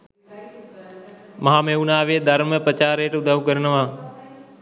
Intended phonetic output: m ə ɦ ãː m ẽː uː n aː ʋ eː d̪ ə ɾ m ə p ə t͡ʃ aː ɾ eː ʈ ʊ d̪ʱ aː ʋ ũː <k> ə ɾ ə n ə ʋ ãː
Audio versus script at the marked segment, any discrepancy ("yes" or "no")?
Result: no